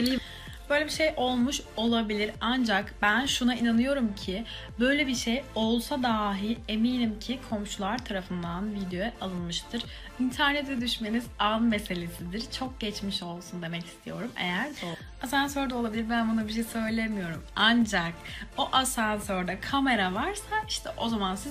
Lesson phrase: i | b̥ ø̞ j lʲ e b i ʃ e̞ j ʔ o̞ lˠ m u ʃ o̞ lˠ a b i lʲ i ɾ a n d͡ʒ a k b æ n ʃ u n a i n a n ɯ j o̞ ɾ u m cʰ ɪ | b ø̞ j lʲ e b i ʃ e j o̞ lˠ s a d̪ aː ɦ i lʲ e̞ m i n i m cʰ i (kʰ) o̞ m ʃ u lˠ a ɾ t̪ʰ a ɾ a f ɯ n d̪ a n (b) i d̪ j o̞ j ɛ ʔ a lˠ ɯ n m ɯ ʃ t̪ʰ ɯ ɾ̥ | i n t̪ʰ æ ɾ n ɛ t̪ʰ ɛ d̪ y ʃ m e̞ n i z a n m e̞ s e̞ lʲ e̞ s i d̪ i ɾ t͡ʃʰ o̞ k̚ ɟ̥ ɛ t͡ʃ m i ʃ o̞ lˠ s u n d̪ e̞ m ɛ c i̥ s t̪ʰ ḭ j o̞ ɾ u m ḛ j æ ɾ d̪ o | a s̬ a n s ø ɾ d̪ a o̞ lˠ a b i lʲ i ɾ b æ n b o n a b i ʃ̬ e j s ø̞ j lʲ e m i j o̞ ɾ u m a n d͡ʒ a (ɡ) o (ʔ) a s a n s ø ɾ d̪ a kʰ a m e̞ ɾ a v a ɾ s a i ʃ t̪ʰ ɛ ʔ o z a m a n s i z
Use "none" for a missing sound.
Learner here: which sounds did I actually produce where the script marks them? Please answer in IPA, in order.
kʰ, v, k, ʔ

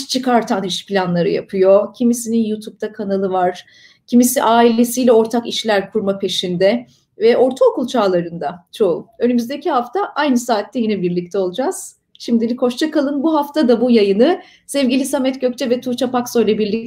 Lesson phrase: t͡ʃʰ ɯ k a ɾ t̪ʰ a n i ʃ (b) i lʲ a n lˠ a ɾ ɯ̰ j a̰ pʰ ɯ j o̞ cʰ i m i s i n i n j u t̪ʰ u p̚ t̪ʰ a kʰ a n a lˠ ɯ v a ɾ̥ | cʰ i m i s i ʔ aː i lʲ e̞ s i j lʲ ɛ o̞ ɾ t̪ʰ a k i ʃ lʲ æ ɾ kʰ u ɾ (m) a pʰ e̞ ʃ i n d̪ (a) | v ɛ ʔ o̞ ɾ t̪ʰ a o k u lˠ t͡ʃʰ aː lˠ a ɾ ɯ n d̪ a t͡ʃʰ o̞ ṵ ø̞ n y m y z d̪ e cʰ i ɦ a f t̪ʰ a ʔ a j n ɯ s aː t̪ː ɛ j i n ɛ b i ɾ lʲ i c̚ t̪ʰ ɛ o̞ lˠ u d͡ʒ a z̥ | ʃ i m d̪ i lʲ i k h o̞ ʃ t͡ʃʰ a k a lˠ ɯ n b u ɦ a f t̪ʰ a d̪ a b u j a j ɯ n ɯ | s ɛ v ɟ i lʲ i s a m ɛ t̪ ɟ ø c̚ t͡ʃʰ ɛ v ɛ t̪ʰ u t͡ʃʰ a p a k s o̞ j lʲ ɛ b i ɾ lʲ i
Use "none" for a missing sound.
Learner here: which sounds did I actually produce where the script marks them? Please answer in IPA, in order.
p, m, ɛ

